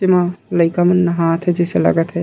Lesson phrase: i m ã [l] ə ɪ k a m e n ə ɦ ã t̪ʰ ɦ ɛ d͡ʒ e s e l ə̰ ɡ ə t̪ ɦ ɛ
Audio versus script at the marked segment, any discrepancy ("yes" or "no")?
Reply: no